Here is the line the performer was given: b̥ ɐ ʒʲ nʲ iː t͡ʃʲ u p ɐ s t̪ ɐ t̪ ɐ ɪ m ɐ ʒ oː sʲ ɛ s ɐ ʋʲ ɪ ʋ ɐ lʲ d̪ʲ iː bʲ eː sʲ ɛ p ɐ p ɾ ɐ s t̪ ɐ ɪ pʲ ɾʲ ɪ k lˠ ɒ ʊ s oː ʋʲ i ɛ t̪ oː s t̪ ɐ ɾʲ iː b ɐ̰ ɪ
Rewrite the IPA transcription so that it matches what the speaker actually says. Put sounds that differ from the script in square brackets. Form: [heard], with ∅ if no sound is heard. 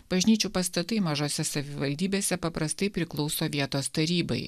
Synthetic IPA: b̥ ɐ ʒʲ nʲ iː t͡ʃʲ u p ɐ s t̪ ɐ t̪ ɐ ɪ m ɐ ʒ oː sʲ ɛ s ɐ ʋʲ ɪ ʋ ɐ lʲ d̪ʲ iː bʲ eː sʲ ɛ p ɐ p ɾ ɐ s t̪ ɐ ɪ pʲ ɾʲ ɪ k lˠ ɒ ʊ s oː ʋʲ i ɛ t̪ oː s t̪ ɐ ɾʲ iː b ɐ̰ ɪ